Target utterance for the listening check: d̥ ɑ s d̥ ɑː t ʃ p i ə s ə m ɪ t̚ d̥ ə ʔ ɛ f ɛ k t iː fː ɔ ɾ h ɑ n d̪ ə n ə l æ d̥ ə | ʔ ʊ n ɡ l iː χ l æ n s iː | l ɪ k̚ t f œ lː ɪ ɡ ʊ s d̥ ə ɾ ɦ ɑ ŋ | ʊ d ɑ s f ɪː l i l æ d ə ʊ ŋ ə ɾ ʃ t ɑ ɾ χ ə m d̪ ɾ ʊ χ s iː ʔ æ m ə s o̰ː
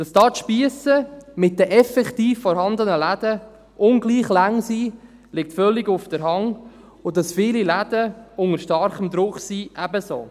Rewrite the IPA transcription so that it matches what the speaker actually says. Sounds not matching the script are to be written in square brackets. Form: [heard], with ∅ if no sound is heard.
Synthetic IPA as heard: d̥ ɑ s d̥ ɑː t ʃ p i ə s ə m ɪ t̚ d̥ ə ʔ ɛ f ɛ k t iː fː ɔ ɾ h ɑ n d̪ ə n ə l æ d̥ ə | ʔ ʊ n ɡ l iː χ l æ [ŋ] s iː | l ɪ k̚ t f œ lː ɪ ɡ ʊ [f] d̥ ə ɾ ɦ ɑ ŋ | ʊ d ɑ s f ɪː l i l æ d ə ʊ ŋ ə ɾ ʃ t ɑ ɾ χ ə m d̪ ɾ ʊ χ s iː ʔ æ [b] ə s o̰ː

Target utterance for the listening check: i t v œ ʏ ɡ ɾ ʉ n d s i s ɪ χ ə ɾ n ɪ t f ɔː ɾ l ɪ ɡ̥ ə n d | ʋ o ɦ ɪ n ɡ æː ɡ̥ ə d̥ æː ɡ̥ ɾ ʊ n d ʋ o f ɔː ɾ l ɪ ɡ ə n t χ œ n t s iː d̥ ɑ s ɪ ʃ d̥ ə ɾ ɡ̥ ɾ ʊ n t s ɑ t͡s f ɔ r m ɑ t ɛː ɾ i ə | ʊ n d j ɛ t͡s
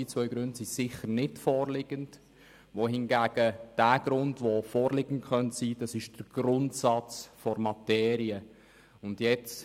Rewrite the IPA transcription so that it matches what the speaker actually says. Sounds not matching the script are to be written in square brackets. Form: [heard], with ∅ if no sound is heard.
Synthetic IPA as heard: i [t͡s] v œ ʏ ɡ ɾ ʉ n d s i s ɪ χ ə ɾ n ɪ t f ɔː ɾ l ɪ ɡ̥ ə n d | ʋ o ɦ ɪ n ɡ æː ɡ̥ ə d̥ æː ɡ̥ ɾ ʊ n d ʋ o f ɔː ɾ l ɪ ɡ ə n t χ œ n t s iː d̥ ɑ s ɪ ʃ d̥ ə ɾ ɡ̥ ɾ ʊ n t s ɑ t͡s f ɔ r m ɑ t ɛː ɾ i ə | ʊ n d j ɛ t͡s

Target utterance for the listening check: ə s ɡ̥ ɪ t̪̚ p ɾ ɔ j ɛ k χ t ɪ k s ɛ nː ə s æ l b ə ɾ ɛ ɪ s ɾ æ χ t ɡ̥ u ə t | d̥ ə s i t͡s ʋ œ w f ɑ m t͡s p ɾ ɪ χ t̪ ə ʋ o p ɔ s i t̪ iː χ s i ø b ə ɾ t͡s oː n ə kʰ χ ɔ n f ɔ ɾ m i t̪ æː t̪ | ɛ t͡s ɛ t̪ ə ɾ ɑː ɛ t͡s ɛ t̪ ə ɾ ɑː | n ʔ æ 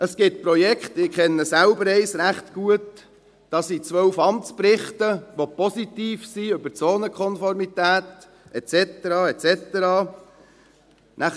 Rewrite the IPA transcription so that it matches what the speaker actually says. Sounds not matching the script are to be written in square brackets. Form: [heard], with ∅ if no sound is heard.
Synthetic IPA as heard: ə s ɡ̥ ɪ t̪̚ p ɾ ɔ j ɛ k χ t ɪ k [χ] ɛ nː ə s æ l b ə ɾ ɛ ɪ s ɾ æ χ t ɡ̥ u ə t | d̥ [ɑ] s i t͡s ʋ œ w f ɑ m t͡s p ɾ ɪ χ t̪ ə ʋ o p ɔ s i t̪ iː [f] s i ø b ə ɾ t͡s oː n ə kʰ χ ɔ n f ɔ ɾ m i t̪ æː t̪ | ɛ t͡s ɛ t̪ ə ɾ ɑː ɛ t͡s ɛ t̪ ə ɾ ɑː | n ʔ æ

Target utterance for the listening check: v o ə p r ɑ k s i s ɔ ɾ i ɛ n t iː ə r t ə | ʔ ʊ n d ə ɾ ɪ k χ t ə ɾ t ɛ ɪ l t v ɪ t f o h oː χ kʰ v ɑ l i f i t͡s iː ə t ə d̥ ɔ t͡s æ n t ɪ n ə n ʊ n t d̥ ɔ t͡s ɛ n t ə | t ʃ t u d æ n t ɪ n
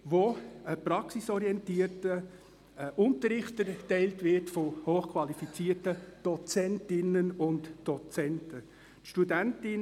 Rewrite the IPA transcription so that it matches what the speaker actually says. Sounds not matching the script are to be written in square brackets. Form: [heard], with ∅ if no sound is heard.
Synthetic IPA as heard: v o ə p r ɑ k s i s ɔ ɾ i ɛ n t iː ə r t ə | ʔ ʊ n [t] ə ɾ ɪ [∅] χ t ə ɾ t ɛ ɪ l t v ɪ t f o h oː χ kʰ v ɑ l i f i t͡s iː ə t ə d̥ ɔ t͡s [ɛ] n t ɪ n ə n ʊ n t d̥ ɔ t͡s ɛ n t ə | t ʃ t u d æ n t ɪ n

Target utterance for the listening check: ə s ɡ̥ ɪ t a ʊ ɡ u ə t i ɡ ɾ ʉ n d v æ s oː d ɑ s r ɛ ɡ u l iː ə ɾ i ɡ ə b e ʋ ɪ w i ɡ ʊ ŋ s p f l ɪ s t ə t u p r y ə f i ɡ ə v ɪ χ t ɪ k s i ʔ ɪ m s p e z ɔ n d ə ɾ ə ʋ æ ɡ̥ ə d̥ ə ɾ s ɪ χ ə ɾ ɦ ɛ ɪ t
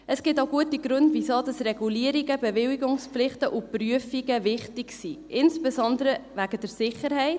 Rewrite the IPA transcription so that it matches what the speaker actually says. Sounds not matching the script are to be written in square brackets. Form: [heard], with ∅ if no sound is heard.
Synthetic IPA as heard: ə s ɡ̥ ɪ t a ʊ ɡ u ə t i ɡ ɾ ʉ n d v [i] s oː d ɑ s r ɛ ɡ u l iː ə ɾ i ɡ ə b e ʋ ɪ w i ɡ ʊ ŋ s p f l ɪ [χ] t ə [ʔ] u p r y ə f i ɡ ə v ɪ χ t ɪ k s i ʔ ɪ [n] s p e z ɔ n d ə ɾ ə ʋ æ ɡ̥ ə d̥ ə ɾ s ɪ χ ə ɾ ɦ ɛ ɪ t

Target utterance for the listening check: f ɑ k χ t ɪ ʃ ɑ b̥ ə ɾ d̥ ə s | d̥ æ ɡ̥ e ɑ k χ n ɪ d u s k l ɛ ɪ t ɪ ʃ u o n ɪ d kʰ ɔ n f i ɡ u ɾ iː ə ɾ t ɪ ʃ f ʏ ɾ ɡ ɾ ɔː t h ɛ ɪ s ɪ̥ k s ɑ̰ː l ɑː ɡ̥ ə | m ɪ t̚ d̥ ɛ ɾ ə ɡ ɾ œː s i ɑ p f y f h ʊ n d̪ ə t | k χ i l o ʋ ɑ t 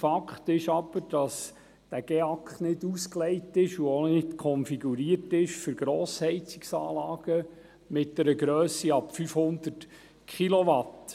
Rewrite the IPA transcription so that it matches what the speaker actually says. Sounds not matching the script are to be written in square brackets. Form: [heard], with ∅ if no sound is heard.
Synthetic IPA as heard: f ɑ k χ t ɪ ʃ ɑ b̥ ə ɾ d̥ [ɑ] s | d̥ æ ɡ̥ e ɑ k χ n ɪ d u s k l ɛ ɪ t ɪ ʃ u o n ɪ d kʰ ɔ n f i ɡ u ɾ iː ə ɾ t ɪ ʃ f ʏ ɾ ɡ ɾ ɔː [s] h ɛ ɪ [t͡s] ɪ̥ k s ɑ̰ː l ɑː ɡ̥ ə | m ɪ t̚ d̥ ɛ ɾ ə ɡ ɾ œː s i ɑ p f y f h ʊ n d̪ ə t | k χ i l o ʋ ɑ t

